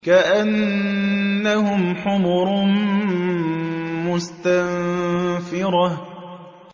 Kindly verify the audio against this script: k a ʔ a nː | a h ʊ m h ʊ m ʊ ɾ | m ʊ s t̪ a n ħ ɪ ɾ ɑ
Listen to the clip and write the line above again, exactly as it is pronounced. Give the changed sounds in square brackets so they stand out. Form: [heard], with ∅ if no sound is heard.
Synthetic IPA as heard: k a ʔ a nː | a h ʊ m [ħ] ʊ m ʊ ɾ | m ʊ s t̪ a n [f] ɪ ɾ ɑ